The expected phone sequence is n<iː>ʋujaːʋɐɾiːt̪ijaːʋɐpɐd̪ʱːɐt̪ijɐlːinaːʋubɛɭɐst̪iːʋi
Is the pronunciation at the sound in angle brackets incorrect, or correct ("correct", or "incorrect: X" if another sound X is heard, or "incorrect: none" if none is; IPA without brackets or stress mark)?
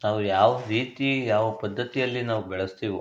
incorrect: aː